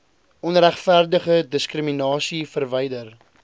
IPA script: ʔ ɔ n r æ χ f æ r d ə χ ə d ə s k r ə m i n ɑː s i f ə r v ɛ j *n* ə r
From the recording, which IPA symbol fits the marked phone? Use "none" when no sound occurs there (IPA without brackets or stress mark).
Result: d